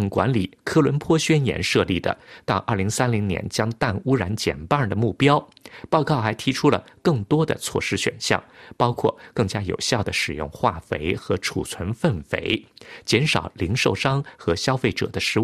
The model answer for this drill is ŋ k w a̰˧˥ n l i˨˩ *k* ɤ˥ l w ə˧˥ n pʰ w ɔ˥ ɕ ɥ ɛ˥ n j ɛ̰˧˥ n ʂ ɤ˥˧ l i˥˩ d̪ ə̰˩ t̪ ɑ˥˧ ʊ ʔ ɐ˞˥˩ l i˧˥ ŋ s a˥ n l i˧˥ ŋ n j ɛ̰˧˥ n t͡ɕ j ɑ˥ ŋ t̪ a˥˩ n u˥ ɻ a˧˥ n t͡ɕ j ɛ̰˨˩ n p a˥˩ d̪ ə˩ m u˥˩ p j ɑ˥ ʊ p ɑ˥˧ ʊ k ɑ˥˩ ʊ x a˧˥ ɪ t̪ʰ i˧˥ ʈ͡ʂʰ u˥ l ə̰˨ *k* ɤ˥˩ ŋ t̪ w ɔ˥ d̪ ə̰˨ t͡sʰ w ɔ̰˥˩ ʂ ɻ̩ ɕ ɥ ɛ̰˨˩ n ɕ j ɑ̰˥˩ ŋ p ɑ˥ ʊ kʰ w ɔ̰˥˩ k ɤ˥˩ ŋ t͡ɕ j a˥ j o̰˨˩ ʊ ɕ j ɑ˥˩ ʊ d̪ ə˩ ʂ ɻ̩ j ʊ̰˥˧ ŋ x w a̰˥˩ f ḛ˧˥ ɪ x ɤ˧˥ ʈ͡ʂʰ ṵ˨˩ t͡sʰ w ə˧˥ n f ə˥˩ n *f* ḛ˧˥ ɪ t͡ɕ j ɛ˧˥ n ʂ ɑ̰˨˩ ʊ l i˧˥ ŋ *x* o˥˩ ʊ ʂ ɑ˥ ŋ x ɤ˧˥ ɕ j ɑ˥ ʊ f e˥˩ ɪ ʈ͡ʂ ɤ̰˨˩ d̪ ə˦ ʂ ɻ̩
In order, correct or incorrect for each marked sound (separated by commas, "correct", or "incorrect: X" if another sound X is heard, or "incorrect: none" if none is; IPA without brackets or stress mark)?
incorrect: kʰ, correct, correct, incorrect: ʂ